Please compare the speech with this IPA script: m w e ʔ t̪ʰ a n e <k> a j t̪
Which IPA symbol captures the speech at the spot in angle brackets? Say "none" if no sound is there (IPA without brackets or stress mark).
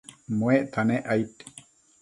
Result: ʔ